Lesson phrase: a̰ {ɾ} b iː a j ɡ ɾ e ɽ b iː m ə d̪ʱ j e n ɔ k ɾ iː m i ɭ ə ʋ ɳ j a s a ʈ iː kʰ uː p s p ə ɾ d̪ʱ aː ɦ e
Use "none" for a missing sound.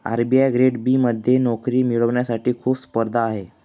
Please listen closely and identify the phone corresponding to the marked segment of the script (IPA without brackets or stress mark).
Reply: ɾ